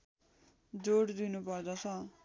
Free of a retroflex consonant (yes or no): no